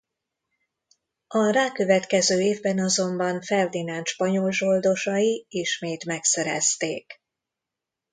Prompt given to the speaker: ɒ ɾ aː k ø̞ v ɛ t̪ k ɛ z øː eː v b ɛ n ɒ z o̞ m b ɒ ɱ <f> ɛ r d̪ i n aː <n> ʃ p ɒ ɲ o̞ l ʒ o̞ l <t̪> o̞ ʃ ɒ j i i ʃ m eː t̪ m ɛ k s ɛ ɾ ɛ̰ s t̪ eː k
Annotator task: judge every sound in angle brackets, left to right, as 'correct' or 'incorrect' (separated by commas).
correct, correct, incorrect